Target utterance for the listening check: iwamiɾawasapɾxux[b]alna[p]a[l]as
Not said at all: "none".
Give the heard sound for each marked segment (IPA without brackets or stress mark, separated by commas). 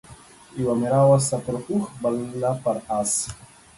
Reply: b, p, ɾ